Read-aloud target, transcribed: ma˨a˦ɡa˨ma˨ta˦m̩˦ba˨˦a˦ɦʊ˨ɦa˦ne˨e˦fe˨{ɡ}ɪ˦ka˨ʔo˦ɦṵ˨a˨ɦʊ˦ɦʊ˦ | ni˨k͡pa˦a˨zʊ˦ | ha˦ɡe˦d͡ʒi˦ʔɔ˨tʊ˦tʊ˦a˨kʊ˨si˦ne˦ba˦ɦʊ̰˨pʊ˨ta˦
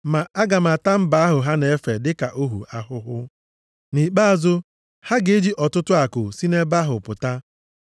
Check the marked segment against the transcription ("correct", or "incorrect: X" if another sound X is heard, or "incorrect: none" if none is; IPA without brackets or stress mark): incorrect: d